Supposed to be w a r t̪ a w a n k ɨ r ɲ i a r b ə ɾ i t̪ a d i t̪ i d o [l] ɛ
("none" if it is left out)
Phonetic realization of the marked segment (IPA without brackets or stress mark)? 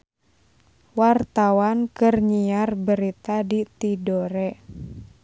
ɾ